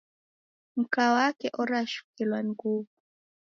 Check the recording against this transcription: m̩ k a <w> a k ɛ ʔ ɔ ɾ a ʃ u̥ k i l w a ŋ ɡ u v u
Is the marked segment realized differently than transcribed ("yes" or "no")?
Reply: no